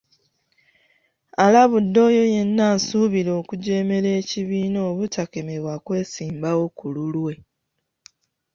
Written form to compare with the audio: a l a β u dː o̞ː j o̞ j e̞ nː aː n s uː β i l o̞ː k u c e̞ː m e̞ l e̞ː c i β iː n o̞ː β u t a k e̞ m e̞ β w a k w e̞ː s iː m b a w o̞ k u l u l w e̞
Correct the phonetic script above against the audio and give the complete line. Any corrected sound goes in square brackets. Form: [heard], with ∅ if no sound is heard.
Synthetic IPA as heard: a l a β u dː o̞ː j o̞ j e̞ nː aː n s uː β i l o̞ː k u [ɟ] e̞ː m e̞ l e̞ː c i β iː n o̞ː β u t a k e̞ m e̞ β w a k w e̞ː s iː m b a w o̞ k u l u l w e̞